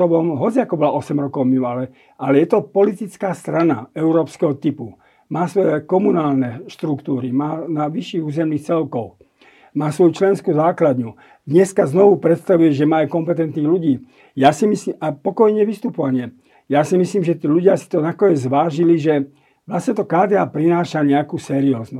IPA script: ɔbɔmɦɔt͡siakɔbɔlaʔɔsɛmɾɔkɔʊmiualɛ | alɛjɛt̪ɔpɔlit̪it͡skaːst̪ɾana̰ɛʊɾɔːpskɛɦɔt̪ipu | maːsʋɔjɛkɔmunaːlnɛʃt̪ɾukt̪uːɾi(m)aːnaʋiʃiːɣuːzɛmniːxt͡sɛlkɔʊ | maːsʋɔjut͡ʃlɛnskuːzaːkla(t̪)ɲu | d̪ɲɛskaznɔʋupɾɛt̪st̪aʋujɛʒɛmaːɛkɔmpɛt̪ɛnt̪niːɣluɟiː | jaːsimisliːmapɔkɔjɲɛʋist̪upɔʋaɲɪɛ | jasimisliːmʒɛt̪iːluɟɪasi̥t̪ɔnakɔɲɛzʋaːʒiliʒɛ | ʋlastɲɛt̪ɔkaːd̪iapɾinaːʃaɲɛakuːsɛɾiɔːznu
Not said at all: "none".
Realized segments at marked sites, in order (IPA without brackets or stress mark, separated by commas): m, d̪